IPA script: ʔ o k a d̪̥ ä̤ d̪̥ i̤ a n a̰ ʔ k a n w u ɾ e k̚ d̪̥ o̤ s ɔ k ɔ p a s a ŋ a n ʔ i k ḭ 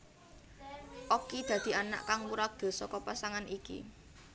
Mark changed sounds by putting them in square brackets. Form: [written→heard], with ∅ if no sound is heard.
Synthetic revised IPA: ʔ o k [a→i] d̪̥ ä̤ d̪̥ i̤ a n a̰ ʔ k a [n→ŋ] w u ɾ [e→a] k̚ d̪̥ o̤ s ɔ k ɔ p a s a ŋ a n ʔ i k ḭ